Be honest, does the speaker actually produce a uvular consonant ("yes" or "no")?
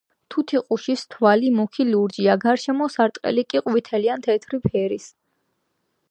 yes